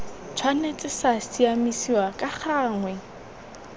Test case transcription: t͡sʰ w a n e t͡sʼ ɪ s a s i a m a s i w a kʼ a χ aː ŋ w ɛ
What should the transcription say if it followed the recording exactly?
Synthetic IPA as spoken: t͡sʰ w a n e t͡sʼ ɪ s a s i a m i s i w a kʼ a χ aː ŋ w ɛ